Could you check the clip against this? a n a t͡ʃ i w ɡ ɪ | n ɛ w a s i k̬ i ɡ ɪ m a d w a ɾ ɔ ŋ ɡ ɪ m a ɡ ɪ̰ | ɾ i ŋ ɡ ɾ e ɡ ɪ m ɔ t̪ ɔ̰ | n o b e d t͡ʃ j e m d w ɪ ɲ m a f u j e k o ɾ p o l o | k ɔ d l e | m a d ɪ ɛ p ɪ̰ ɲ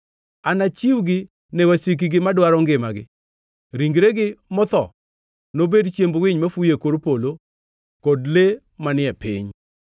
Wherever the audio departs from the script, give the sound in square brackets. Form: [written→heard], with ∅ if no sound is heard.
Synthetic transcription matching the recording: a n a t͡ʃ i w ɡ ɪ | n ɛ w a s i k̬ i ɡ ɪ m a d w a ɾ ɔ ŋ ɡ ɪ m a ɡ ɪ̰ | ɾ i ŋ ɡ ɾ e ɡ ɪ m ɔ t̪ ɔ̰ | n o b e d t͡ʃ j e m [d→b] w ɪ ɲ m a f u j e k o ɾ p o l o | k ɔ d l e | m a [d→n] ɪ ɛ p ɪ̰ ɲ